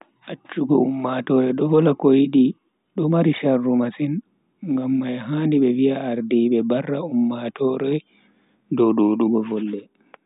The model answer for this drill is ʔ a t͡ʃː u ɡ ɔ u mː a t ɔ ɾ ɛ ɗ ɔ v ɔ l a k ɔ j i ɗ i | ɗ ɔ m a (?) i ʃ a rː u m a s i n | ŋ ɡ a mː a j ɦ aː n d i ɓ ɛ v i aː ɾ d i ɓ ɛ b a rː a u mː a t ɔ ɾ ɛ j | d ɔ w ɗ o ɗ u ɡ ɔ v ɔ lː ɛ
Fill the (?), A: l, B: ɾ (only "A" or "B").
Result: B